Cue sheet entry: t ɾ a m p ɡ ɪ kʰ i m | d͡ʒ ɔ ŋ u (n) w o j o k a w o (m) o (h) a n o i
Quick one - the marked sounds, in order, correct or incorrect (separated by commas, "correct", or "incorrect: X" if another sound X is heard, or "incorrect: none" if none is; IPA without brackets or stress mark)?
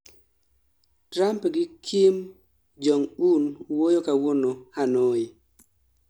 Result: correct, incorrect: n, correct